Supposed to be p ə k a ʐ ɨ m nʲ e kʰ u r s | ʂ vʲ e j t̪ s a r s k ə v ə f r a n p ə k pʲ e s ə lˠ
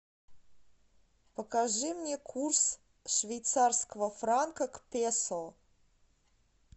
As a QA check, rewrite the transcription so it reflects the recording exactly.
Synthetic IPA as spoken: p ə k a ʐ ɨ m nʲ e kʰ u r s | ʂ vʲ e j t̪ s a r s k ə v ə f r a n k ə k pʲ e s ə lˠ